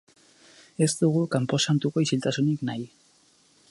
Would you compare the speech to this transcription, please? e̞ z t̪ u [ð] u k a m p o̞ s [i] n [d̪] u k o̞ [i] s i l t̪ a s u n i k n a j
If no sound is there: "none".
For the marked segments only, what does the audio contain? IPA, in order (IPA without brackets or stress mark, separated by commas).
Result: ɣ, a, t̪, i